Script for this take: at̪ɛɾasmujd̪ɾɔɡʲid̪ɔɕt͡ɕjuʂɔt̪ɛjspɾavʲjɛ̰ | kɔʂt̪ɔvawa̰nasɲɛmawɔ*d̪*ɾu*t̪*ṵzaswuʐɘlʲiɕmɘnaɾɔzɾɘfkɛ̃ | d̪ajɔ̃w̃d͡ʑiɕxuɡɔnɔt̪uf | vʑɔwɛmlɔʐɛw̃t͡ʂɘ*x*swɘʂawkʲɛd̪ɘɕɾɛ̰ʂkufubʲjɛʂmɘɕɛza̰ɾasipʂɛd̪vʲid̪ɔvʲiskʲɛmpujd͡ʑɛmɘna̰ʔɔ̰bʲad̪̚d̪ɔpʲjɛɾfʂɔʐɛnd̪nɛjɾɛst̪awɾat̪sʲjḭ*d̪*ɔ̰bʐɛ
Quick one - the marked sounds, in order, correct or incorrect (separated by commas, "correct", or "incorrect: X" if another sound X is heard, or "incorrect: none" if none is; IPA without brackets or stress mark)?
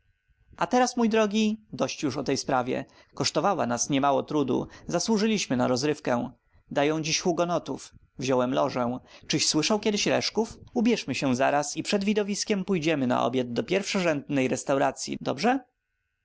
incorrect: t̪, incorrect: d̪, incorrect: ɕ, correct